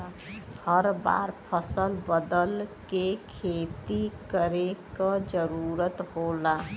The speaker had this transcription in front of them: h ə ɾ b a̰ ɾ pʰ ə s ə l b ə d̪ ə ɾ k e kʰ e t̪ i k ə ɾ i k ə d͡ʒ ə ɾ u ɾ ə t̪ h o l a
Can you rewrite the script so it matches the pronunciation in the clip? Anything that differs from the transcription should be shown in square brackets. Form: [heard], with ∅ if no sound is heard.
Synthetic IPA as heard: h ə ɾ b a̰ ɾ pʰ ə s ə l b ə d̪ ə [l] k e kʰ e t̪ i k ə ɾ [e] k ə d͡ʒ ə ɾ u ɾ ə t̪ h o l a